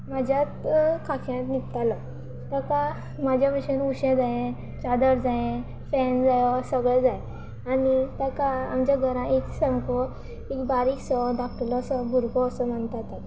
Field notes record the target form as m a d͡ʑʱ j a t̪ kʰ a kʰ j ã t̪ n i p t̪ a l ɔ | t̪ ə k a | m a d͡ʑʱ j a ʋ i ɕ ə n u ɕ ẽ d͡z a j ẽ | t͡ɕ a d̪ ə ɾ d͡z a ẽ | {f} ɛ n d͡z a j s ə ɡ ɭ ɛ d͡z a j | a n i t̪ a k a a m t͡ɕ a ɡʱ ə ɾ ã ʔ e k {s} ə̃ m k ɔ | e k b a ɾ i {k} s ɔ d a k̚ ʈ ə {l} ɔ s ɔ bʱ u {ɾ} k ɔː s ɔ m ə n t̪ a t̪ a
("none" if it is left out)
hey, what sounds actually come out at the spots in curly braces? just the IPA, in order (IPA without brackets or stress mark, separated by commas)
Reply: f, s, k, l, ɾ